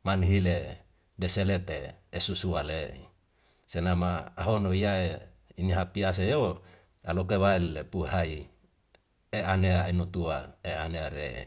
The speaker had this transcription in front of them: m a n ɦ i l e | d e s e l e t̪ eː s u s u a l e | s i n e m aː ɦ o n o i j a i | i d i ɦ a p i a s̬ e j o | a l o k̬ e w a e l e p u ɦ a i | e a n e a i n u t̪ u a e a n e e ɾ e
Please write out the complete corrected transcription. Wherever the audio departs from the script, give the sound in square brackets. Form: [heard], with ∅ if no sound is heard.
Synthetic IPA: m a n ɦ i l e | d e s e l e t̪ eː s u s u a l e | s [e] n [a] m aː ɦ o n o i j a [e] | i [n] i ɦ a p i a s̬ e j o | a l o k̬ e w a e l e p u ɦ a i | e a n e a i n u t̪ u a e a n e [a] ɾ e